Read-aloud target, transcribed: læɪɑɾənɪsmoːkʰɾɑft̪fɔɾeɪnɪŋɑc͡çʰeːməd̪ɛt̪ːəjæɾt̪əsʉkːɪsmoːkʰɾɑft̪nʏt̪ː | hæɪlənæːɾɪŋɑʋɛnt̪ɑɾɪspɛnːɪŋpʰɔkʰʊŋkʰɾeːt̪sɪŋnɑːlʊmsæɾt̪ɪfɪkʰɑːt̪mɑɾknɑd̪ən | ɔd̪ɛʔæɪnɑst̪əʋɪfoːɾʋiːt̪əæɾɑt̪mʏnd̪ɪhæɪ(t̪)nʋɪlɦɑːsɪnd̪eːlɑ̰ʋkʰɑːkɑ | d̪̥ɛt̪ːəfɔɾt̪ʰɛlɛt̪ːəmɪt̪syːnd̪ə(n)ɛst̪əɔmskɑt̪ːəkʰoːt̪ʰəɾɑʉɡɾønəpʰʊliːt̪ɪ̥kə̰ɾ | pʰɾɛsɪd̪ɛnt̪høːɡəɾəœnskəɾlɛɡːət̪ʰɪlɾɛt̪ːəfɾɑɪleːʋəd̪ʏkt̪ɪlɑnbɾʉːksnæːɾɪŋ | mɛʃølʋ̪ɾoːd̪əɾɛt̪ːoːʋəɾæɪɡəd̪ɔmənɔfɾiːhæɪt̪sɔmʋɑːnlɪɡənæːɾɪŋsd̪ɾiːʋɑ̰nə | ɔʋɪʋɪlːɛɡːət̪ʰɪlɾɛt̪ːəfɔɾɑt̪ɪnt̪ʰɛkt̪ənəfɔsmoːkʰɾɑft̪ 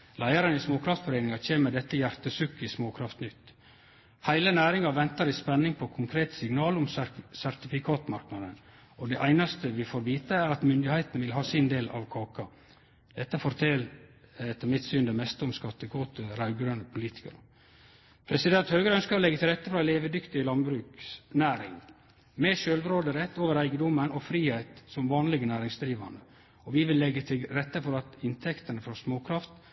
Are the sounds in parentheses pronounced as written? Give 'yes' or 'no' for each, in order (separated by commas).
yes, no